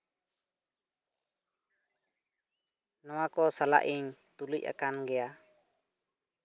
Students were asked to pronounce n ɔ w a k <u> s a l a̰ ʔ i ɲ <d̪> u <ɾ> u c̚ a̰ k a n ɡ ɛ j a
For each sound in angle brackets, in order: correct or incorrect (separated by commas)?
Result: incorrect, incorrect, incorrect